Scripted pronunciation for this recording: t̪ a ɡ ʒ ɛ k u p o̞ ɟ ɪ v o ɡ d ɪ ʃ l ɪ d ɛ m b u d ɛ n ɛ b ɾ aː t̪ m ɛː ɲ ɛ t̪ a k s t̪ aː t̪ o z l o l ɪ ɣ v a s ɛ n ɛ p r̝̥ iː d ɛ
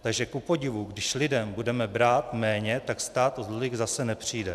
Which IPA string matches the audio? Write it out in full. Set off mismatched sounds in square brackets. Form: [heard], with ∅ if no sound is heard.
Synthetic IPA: t̪ a ɡ ʒ ɛ k u p o̞ ɟ ɪ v [u] ɡ d ɪ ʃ l ɪ d ɛ m b u d ɛ [m] ɛ b ɾ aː t̪ m ɛː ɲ ɛ t̪ a k s t̪ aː t̪ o z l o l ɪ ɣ [z] a s ɛ n ɛ p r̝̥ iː d ɛ

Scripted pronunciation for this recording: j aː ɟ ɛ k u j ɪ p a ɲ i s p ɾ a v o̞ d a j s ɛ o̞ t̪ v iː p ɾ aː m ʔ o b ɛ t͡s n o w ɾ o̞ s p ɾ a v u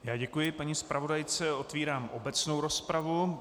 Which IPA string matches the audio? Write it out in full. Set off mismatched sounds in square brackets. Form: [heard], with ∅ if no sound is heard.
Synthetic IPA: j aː ɟ ɛ k u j ɪ p a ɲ i s p ɾ a v o̞ d a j [t͡s] ɛ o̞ t̪ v iː [∅] ɾ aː m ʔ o b ɛ t͡s n o w ɾ o̞ s p ɾ a v u

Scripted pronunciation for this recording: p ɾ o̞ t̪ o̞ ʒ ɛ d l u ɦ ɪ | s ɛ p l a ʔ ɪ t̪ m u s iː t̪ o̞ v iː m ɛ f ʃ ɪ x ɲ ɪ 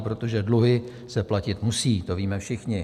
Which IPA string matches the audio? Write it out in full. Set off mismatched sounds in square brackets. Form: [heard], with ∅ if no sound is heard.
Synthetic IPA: p ɾ o̞ t̪ o̞ ʒ ɛ d l u ɦ ɪ | s ɛ p l a [c] ɪ t̪ m u s iː t̪ o̞ v iː m ɛ f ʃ ɪ x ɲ ɪ

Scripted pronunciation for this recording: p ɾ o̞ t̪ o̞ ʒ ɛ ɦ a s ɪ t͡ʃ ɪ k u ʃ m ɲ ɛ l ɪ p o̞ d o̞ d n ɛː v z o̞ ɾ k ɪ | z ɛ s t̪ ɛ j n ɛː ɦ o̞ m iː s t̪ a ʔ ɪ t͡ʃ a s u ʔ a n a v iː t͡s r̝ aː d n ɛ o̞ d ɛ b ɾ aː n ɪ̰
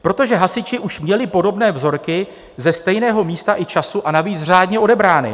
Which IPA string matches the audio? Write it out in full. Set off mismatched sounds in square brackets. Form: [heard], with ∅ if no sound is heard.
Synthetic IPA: p ɾ o̞ t̪ o̞ ʒ ɛ ɦ a s ɪ t͡ʃ ɪ [ʔ] u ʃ m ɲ ɛ l ɪ p o̞ d o̞ [b] n ɛː v z o̞ ɾ k ɪ | z ɛ s t̪ ɛ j n ɛː ɦ o̞ m iː s t̪ a ʔ ɪ t͡ʃ a s u ʔ a n a v iː t͡s r̝ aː d [ɲ] ɛ o̞ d ɛ b ɾ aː n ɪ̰

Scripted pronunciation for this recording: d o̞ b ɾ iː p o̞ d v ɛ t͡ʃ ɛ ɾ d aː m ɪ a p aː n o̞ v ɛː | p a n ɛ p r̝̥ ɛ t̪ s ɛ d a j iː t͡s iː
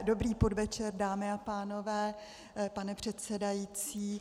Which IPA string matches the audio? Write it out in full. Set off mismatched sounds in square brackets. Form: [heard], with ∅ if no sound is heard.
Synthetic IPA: d o̞ b ɾ iː p o̞ d v ɛ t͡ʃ ɛ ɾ d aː m ɪ a p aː n o̞ v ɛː | p a n ɛ p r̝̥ ɛ t̪ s ɛ d a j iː t͡s iː

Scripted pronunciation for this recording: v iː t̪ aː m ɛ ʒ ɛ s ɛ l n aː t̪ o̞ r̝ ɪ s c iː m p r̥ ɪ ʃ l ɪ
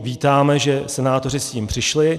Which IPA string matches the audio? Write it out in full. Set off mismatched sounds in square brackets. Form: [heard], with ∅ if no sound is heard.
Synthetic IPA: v iː t̪ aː m ɛ ʒ ɛ s ɛ [∅] n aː t̪ o̞ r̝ ɪ s c iː m p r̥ ɪ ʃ l ɪ

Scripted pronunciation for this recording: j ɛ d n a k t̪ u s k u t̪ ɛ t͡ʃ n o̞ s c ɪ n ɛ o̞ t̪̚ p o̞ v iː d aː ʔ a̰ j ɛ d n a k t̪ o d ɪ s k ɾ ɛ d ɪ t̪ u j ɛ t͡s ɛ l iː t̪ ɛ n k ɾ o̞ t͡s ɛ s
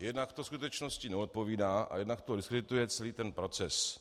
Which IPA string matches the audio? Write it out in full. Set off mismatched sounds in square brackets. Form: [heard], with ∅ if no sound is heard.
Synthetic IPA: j ɛ d n a k t̪ [o] s k u t̪ ɛ t͡ʃ n o̞ s c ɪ n ɛ o̞ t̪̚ p o̞ v iː d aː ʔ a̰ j ɛ d n a k t̪ o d ɪ s k ɾ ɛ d ɪ t̪ u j ɛ t͡s ɛ l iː t̪ ɛ n [p] ɾ o̞ t͡s ɛ s

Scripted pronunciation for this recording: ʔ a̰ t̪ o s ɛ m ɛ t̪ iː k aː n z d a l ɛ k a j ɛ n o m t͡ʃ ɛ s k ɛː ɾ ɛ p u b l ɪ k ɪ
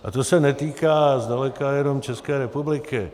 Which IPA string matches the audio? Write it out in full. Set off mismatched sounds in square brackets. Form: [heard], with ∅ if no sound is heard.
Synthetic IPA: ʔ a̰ t̪ o s ɛ [n] ɛ t̪ iː k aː [∅] z d a l ɛ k a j ɛ n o m t͡ʃ ɛ s k ɛː ɾ ɛ p u b l ɪ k ɪ

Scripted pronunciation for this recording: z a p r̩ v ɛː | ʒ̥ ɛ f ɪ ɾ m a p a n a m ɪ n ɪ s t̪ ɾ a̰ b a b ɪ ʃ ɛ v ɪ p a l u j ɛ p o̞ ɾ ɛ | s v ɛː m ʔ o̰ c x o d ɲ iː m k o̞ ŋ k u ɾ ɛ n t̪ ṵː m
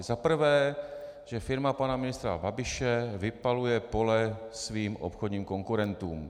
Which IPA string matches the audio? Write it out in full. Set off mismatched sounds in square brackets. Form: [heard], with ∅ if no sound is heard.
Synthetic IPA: z a p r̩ v ɛː | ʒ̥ ɛ f ɪ ɾ m a p a n a m ɪ n ɪ s t̪ ɾ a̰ b a b ɪ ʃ ɛ v ɪ p a l u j ɛ p o̞ [l] ɛ | s v [iː] m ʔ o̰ [p] x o d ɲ iː m k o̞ ŋ k u ɾ ɛ n t̪ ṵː m

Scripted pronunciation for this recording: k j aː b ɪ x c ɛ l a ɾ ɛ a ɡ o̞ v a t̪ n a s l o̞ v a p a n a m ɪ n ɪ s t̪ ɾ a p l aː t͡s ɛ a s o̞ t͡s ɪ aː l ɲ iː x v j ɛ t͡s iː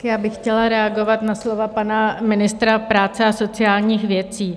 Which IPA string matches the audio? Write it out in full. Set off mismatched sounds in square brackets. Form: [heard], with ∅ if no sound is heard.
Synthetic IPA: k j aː b ɪ x c ɛ l a ɾ ɛ a ɡ o̞ v a t̪ n a s l o̞ v a p a n a m ɪ n ɪ s t̪ ɾ a p [ɾ] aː t͡s ɛ a s o̞ t͡s ɪ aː l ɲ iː x v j ɛ t͡s iː

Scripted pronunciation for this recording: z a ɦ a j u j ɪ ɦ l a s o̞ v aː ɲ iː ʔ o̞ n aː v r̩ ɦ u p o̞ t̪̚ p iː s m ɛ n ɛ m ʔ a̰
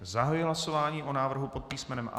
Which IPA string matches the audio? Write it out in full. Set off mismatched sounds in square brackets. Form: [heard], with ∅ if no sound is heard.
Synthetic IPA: z a ɦ a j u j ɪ ɦ l a s o̞ v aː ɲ iː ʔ o̞ n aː v r̩ ɦ u p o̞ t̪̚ p iː s m ɛ n ɛ m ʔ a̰

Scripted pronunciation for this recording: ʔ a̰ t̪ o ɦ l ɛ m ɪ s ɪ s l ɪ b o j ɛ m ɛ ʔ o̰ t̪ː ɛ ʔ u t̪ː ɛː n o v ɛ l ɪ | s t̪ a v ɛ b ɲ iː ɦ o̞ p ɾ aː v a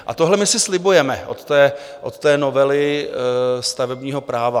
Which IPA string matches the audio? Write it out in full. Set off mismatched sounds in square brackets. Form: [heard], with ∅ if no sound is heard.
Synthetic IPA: ʔ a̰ t̪ o ɦ l ɛ m ɪ s ɪ s l ɪ b [u] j ɛ m ɛ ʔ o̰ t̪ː [ɛː] ʔ [o] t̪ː ɛː n o v ɛ l ɪ | s t̪ a v ɛ b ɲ iː ɦ o̞ p ɾ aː v a

